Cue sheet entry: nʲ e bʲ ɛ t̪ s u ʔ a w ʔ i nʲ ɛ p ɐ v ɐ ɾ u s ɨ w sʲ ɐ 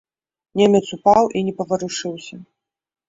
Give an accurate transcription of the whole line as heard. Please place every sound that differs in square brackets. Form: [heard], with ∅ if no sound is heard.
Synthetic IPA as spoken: nʲ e [mʲ] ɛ t̪ s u [p] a w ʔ i nʲ ɛ p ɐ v ɐ ɾ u [ʂ] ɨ w sʲ ɐ